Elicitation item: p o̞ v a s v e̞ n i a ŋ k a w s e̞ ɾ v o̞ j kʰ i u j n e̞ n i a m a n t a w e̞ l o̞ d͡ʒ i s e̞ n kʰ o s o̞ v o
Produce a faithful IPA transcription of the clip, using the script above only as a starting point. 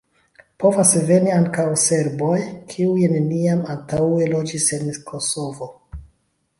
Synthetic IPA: p o̞ v a s v e̞ n i a ŋ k a w s e̞ ɾ b o̞ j kʰ i u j n e̞ n i a m a n t a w e̞ l o̞ d͡ʒ i s e̞ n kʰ o s o̞ v o